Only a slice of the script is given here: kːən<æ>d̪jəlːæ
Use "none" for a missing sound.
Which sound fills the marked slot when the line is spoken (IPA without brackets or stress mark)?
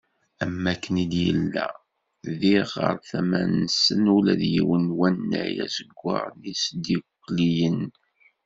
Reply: i